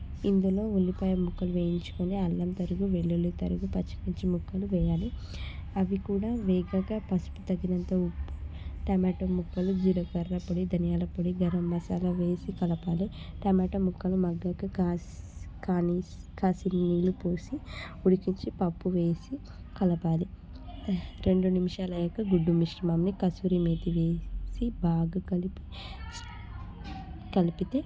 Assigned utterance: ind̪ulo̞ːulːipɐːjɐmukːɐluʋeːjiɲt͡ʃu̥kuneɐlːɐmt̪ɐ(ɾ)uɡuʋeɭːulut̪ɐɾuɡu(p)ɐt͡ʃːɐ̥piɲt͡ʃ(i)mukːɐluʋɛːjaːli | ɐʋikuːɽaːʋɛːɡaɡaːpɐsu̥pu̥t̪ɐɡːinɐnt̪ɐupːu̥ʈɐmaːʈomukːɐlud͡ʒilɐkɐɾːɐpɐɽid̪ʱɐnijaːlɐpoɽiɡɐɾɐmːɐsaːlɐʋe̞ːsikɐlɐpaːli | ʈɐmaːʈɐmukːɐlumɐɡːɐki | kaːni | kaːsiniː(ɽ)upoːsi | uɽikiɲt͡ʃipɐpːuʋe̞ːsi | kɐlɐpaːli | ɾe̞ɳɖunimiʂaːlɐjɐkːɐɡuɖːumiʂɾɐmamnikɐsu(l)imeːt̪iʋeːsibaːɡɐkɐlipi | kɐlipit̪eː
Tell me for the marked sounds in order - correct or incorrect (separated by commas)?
correct, correct, correct, incorrect, incorrect